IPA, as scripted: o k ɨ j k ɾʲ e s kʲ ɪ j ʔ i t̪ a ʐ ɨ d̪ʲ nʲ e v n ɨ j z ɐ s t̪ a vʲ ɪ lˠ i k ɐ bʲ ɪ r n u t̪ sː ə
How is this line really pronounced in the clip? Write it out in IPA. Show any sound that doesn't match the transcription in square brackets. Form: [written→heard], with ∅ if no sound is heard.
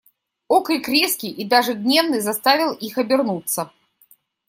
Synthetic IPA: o k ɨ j k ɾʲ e s kʲ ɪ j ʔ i [t̪→d̪] a ʐ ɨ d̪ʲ nʲ e v n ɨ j z ɐ s t̪ a vʲ ɪ lˠ i [k→x] ɐ bʲ ɪ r n u t̪ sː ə